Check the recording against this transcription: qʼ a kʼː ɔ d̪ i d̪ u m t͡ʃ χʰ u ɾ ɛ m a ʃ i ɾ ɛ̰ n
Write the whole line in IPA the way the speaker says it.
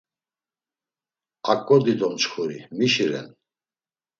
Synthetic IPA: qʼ a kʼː ɔ d̪ i d̪ ɔ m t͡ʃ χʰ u ɾ i m i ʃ i ɾ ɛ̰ n